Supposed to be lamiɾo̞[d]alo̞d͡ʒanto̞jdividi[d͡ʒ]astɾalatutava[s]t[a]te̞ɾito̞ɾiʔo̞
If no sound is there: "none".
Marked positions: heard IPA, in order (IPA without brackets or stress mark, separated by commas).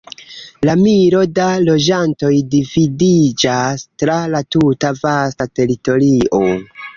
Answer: d, d͡ʒ, s, a